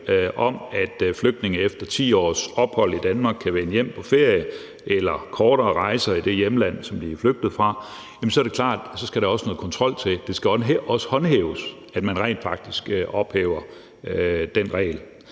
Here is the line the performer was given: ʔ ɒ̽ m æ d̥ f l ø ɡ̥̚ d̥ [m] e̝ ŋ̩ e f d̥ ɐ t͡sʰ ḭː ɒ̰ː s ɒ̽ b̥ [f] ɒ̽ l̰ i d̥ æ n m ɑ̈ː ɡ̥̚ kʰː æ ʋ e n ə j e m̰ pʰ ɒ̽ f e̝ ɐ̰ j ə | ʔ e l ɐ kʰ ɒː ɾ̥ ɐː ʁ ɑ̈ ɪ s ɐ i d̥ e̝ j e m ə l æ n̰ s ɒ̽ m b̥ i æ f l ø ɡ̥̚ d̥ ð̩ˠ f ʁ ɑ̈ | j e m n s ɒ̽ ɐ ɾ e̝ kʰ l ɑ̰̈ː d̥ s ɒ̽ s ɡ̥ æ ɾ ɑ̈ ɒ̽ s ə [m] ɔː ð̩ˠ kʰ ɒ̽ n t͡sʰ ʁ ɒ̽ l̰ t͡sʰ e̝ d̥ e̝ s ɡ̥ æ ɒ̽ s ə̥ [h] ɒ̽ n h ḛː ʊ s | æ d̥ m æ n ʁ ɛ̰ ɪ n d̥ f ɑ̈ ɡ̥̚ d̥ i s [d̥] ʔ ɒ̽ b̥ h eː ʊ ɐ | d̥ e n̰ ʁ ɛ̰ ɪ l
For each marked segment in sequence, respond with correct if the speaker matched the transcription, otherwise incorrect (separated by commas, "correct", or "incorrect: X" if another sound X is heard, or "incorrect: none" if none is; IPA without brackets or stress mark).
incorrect: n, incorrect: h, incorrect: n, correct, incorrect: ɡ̥